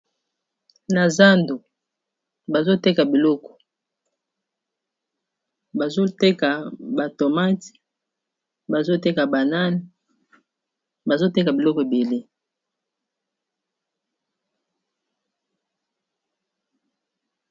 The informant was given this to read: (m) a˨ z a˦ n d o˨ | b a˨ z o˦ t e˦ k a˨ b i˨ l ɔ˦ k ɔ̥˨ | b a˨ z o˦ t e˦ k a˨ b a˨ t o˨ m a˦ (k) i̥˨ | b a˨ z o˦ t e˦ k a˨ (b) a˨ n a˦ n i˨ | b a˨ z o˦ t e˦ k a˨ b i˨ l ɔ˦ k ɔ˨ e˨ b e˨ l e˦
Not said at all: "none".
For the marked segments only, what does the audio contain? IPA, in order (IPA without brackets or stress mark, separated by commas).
n, t, b